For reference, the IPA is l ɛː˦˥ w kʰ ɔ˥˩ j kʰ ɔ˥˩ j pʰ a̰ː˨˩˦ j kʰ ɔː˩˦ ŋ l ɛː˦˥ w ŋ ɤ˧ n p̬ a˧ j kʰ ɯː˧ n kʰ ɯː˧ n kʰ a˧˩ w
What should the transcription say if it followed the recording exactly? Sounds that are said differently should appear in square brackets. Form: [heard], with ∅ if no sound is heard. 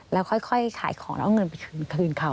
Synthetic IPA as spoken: l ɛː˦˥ w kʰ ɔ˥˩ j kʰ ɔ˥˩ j [kʰ] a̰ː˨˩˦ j kʰ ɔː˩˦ ŋ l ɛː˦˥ w ŋ ɤ˧ n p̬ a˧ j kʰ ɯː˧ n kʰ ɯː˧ n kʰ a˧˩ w